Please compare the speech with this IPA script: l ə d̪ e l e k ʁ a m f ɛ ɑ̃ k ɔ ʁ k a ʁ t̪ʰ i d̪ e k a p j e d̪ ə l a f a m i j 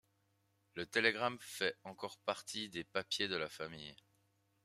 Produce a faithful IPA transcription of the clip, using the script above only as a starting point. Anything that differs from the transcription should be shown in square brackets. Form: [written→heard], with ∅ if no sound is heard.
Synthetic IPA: l ə [d̪→t̪] e l e [k→ɡ] ʁ a m f ɛ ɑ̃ k ɔ ʁ [k→p] a ʁ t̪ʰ i d̪ e [k→p] a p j e d̪ ə l a f a m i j